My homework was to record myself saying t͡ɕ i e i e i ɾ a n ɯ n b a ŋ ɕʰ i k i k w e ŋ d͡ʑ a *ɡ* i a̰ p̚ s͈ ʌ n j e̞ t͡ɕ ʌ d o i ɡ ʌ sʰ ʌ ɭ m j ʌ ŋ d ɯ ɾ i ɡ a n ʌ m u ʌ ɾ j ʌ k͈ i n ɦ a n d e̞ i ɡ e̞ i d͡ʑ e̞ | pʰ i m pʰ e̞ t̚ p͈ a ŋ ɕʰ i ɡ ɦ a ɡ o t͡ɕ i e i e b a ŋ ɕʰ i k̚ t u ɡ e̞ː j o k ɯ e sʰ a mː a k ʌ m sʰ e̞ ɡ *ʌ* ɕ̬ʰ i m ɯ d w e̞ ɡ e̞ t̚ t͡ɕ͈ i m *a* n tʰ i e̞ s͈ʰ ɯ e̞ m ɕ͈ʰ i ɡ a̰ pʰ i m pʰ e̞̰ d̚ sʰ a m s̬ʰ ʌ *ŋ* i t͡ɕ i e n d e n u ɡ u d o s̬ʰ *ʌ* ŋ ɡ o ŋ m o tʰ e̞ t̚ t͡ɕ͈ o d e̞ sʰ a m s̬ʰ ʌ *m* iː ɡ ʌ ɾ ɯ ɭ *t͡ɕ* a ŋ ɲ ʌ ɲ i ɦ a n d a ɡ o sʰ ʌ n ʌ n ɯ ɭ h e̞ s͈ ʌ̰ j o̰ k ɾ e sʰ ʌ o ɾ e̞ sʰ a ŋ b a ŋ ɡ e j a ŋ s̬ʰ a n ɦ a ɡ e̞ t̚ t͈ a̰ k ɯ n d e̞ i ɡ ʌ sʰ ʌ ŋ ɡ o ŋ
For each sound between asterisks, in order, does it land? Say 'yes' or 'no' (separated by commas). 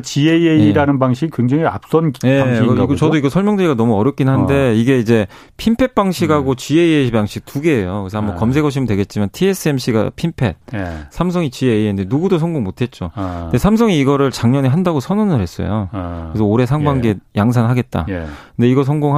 no, yes, yes, yes, yes, no, yes